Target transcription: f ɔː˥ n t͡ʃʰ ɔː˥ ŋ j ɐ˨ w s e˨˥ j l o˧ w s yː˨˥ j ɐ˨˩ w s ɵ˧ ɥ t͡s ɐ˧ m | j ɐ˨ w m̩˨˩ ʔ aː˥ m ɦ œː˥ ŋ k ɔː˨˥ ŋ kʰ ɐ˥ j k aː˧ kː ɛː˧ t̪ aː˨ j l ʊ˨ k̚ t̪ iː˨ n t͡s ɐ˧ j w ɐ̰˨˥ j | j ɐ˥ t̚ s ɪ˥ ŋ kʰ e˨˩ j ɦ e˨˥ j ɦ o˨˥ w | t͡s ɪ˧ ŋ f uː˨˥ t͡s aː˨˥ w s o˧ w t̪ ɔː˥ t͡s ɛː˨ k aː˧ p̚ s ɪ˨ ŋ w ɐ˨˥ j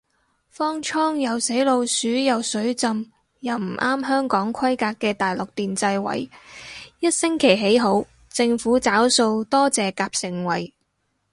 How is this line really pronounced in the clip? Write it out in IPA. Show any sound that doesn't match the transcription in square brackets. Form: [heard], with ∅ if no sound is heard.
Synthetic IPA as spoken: f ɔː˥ [ŋ] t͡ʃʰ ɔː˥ ŋ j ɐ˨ w s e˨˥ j l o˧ w s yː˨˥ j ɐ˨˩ w s [ɵ˨˥] ɥ t͡s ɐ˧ m | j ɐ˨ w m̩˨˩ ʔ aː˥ m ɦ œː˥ ŋ k ɔː˨˥ ŋ kʰ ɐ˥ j k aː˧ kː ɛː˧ t̪ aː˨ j l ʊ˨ k̚ t̪ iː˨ n t͡s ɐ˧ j w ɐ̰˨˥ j | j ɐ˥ t̚ s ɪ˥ ŋ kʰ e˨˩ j ɦ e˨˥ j ɦ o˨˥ w | t͡s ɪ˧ ŋ f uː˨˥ t͡s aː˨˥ w s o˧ w t̪ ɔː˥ t͡s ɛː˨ k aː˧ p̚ s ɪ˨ ŋ w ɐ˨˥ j